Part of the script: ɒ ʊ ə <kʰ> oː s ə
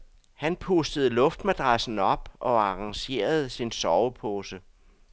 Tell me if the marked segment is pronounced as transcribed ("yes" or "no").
no